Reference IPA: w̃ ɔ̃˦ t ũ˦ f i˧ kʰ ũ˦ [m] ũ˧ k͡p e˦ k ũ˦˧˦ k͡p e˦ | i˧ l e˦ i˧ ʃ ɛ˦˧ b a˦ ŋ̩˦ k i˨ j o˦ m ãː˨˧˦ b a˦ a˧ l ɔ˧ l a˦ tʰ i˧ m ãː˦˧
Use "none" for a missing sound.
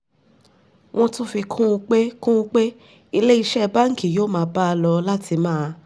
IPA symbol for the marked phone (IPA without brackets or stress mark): none